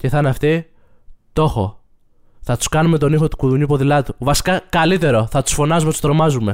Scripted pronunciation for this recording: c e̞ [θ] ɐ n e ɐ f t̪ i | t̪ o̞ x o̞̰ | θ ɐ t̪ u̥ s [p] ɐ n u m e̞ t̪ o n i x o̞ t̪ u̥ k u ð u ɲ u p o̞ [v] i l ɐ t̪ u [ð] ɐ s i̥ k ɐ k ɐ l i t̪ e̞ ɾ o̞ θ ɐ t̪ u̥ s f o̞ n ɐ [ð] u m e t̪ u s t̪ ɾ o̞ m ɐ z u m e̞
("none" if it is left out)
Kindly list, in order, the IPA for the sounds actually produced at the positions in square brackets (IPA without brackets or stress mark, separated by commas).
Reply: θ, k, ð, v, z